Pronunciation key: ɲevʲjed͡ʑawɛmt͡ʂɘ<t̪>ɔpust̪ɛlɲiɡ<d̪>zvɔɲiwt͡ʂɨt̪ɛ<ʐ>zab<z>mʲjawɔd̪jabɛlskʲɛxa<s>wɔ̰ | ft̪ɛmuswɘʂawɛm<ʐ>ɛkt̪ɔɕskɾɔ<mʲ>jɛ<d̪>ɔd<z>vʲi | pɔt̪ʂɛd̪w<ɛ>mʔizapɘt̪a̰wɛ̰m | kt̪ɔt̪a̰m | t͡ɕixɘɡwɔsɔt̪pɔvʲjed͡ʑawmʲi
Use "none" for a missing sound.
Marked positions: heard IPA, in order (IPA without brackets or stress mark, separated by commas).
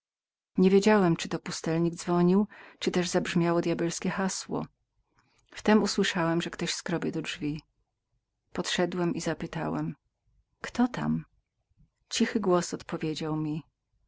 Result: t̪, d̪, ʐ, ʐ, s, ʐ, bʲ, d̪, ʐ, ɛ